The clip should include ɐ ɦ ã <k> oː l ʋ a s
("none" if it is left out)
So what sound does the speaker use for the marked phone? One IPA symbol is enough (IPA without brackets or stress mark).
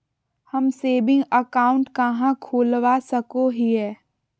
kʰ